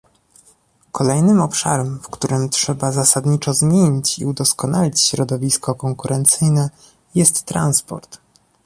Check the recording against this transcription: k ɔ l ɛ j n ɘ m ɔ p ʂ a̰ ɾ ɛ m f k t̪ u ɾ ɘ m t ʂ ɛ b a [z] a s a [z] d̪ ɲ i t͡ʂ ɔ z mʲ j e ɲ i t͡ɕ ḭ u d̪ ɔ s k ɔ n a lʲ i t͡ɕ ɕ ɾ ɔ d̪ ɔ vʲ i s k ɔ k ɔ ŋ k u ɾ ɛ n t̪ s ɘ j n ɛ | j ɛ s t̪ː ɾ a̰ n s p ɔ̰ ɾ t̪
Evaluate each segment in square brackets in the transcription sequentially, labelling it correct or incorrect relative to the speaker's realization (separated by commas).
correct, incorrect